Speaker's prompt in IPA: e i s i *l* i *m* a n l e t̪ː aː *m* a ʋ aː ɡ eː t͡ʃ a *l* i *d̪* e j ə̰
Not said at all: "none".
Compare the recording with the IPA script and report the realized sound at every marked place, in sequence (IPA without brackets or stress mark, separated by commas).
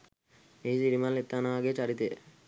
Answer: ɾ, m, n, ɾ, t̪